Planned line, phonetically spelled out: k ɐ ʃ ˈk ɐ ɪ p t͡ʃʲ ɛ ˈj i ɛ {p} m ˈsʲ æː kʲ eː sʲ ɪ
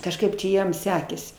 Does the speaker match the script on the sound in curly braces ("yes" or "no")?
no